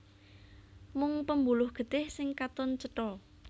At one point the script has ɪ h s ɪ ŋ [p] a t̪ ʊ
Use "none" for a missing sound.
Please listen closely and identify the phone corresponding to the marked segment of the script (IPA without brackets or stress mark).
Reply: k